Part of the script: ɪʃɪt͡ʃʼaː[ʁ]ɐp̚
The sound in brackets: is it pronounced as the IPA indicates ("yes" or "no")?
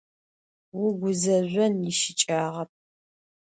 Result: yes